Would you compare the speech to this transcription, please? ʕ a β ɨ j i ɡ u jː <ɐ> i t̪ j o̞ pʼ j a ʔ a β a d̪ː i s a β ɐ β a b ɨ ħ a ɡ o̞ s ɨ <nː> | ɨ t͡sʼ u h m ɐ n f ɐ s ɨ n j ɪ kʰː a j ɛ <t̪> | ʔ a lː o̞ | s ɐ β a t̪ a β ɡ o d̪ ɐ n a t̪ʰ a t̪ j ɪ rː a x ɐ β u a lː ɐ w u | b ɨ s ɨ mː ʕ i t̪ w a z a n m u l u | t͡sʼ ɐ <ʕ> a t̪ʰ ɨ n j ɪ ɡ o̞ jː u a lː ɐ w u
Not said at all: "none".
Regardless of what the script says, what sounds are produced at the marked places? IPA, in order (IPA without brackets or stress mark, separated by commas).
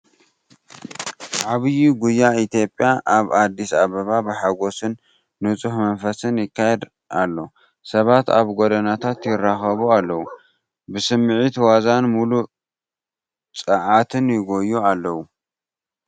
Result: a, nː, d̪, ʕ